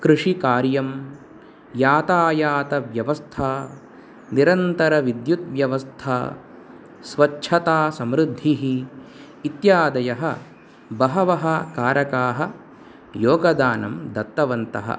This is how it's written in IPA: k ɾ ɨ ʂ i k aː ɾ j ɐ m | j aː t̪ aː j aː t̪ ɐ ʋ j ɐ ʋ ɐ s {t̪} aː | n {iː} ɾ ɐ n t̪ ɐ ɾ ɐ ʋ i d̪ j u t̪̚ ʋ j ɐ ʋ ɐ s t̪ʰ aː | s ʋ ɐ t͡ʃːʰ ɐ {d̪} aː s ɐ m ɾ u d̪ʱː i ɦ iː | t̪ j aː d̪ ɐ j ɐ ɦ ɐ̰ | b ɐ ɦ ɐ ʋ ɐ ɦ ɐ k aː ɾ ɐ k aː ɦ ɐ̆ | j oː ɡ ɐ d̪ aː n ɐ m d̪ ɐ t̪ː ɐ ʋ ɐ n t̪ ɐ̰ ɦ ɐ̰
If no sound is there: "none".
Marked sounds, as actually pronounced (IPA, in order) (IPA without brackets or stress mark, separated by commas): t̪ʰ, i, t̪